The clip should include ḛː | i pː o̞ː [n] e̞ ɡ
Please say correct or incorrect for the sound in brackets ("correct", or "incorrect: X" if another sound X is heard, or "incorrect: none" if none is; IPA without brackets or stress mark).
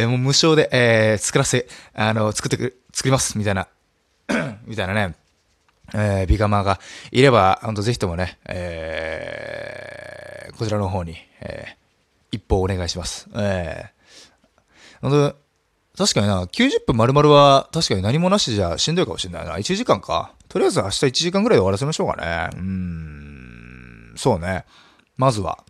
correct